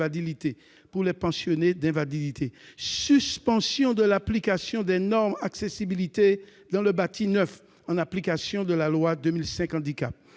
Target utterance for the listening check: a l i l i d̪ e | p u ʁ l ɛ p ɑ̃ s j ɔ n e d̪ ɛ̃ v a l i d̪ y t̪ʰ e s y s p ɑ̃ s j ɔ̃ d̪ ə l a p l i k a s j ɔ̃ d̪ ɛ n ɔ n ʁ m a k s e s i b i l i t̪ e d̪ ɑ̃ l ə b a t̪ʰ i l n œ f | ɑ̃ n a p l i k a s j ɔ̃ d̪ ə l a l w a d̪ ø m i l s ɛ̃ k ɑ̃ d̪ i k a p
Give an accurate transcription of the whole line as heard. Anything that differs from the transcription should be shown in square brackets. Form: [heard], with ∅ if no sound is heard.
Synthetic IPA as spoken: a l i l i [t̪] e | p u ʁ l ɛ p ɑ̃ s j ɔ n e d̪ ɛ̃ v a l i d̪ [i] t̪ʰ e s y s p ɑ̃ s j ɔ̃ d̪ ə l a p l i k a s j ɔ̃ d̪ ɛ n ɔ [∅] ʁ m a k s e s i b i l i t̪ e d̪ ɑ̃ l ə b a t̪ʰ i [∅] n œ f | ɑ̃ n a p l i k a s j ɔ̃ d̪ ə l a l w a d̪ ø m i l s ɛ̃ k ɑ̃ d̪ i k a p